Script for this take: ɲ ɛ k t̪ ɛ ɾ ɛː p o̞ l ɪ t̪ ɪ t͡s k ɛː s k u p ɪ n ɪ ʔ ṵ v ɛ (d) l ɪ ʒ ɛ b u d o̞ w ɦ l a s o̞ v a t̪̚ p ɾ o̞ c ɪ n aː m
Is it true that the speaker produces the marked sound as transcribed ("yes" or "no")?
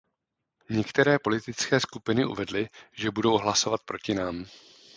yes